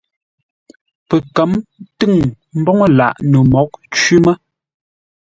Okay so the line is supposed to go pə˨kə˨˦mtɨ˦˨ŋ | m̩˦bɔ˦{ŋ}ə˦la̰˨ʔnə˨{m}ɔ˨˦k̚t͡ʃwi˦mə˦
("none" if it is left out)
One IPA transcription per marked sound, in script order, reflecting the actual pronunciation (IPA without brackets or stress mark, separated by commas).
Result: ŋ, m